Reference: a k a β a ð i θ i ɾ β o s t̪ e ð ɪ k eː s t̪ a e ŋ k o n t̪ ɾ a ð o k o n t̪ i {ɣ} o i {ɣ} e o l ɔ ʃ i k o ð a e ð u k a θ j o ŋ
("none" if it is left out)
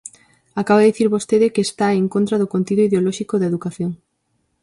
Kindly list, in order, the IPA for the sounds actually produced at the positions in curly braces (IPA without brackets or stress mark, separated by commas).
ð, ð